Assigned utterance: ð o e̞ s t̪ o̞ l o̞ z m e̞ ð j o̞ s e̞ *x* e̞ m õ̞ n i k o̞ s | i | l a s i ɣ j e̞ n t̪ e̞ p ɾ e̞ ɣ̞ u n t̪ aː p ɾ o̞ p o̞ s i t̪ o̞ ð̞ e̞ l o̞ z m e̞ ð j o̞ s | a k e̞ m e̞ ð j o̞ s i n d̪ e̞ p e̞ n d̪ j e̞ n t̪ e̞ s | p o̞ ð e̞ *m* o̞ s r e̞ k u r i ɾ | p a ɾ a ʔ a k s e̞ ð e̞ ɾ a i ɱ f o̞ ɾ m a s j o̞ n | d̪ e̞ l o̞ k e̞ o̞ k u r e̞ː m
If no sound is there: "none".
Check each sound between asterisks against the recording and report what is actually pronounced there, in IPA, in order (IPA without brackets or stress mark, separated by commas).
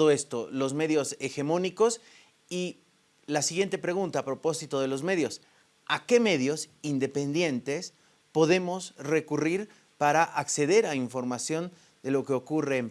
x, m